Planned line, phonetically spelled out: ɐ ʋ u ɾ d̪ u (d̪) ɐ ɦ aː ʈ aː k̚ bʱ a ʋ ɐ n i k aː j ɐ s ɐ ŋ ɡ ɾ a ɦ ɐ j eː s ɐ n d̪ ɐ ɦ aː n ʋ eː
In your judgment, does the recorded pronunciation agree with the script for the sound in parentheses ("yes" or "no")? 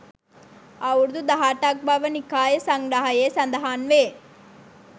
yes